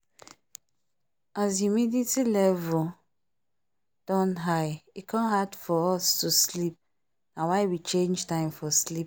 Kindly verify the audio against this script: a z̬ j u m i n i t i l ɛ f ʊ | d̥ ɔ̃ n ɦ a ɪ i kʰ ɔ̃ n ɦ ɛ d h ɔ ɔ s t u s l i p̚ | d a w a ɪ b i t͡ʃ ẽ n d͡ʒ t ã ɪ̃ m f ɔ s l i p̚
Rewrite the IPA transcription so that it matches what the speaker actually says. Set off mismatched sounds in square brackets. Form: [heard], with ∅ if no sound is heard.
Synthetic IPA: a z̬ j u m i [d] i t i l ɛ [v] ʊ | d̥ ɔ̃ n ɦ a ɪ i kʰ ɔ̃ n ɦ [a] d [f] ɔ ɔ s t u s l i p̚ | [n] a w a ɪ [w] i t͡ʃ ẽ n d͡ʒ t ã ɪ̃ m f ɔ s l i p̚